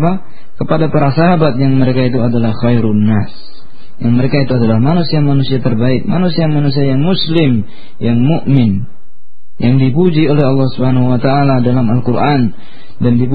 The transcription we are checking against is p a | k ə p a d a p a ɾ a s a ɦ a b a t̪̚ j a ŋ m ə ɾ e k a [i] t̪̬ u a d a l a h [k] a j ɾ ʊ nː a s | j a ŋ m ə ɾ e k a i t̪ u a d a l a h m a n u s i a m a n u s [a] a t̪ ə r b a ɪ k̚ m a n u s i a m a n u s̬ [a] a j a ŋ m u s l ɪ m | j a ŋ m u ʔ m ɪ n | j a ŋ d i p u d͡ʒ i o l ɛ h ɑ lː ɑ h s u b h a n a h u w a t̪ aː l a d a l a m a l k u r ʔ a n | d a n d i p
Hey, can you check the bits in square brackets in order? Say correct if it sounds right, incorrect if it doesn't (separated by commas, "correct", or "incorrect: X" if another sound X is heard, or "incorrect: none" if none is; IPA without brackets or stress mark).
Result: correct, incorrect: x, incorrect: i, incorrect: i